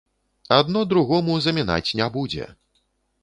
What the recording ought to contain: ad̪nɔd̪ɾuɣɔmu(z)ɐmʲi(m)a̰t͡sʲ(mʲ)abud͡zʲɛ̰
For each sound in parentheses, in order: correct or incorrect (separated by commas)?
correct, incorrect, incorrect